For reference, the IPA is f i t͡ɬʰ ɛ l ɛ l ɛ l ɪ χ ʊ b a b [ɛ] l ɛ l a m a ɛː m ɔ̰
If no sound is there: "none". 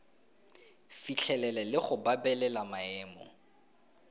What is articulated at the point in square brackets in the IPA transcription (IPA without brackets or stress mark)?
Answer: ɛ